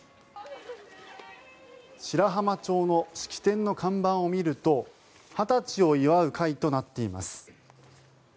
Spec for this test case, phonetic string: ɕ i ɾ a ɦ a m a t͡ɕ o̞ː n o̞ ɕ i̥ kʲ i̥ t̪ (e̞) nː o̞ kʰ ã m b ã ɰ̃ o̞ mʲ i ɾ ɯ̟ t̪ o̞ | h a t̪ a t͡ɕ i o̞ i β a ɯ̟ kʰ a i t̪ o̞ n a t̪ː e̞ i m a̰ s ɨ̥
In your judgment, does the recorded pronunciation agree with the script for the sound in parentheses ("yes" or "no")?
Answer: no